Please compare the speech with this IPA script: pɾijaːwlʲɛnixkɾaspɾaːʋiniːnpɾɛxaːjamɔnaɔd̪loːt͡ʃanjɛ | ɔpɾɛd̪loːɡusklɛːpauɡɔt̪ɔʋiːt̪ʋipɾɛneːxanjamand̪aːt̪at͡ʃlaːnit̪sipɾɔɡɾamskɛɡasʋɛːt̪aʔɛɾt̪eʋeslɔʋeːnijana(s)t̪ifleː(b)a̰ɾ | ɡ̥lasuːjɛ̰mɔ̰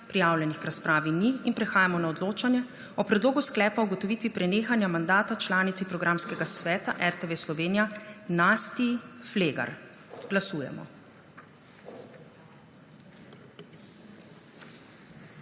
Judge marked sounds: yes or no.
yes, no

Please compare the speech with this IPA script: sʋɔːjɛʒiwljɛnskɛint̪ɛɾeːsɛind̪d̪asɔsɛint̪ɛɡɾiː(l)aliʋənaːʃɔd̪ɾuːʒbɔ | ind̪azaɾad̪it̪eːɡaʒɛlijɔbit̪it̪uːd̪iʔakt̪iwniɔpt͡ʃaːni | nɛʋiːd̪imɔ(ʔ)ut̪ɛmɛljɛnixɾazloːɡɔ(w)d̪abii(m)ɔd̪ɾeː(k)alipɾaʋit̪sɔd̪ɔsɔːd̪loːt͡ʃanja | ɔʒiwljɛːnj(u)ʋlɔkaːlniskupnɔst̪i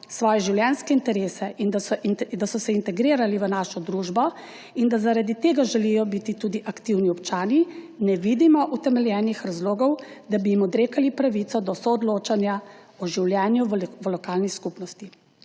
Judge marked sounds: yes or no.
no, yes, yes, yes, yes, yes

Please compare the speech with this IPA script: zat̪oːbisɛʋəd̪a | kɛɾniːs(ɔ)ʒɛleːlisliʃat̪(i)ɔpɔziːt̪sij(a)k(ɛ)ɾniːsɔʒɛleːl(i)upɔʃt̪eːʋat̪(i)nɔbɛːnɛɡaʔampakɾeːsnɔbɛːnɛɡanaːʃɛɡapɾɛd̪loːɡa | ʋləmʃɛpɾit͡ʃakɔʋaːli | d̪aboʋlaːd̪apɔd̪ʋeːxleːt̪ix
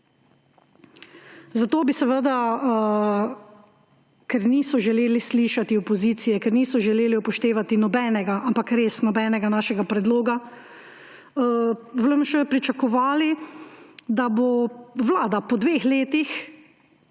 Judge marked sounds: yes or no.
yes, yes, no, yes, yes, yes

